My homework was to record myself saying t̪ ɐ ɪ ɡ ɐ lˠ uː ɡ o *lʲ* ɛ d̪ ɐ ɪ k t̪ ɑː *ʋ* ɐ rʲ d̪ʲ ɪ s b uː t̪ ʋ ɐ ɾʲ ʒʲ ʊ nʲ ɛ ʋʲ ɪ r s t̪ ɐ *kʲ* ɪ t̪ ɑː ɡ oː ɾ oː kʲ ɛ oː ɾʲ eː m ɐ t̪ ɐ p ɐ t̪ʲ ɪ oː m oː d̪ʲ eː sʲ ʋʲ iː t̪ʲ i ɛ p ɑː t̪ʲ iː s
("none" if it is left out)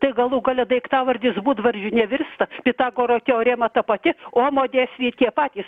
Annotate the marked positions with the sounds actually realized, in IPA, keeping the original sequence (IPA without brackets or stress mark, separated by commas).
lʲ, ʋ, pʲ